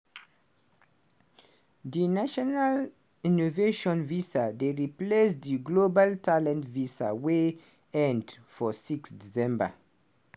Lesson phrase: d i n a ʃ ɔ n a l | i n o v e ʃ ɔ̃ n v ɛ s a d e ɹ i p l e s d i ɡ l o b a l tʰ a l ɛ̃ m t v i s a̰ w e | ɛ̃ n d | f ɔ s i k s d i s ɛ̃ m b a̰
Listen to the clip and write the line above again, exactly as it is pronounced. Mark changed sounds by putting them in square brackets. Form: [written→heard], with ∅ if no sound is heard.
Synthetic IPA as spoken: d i n a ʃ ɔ n a l | i n o v e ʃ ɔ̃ n v [ɛ→i] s a d e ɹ i p l e s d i ɡ l o b a l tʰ a l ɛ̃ [m→n] t v i s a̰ w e | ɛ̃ n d | f ɔ s i k s d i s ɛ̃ m b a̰